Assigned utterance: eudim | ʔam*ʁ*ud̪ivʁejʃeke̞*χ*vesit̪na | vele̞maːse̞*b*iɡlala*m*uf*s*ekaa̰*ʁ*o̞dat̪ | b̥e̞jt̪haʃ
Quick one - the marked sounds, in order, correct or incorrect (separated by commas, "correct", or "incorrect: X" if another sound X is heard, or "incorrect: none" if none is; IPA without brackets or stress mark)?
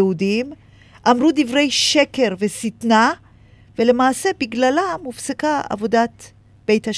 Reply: correct, incorrect: ʁ, correct, correct, correct, incorrect: v